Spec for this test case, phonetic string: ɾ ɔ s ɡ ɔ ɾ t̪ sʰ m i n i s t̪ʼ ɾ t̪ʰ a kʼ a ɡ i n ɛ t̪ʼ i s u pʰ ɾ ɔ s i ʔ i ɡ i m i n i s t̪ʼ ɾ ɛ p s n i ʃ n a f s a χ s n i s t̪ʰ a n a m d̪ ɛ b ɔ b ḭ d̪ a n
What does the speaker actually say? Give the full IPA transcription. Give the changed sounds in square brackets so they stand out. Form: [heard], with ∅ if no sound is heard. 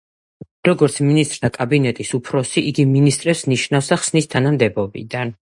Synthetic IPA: ɾ ɔ [∅] ɡ ɔ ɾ t̪ sʰ m i n i s t̪ʼ ɾ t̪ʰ a kʼ a [b] i n ɛ t̪ʼ i s u pʰ ɾ ɔ s i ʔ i ɡ i m i n i s t̪ʼ ɾ ɛ p s n i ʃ n a f s a χ s n i s t̪ʰ a n a m d̪ ɛ b ɔ b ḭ d̪ a n